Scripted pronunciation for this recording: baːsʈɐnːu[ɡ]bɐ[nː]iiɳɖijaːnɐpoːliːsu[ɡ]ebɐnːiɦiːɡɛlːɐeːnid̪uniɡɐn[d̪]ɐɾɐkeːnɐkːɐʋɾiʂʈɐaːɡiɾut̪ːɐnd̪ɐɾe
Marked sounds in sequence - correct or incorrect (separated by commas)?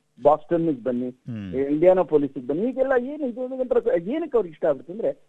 correct, correct, correct, incorrect